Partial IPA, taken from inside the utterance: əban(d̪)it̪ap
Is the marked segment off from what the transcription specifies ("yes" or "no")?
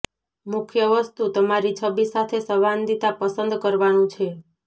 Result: no